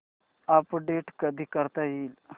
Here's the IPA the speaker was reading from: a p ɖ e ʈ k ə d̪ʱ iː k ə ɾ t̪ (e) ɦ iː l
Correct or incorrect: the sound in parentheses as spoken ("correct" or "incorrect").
incorrect